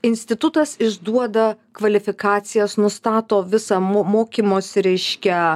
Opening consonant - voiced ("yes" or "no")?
yes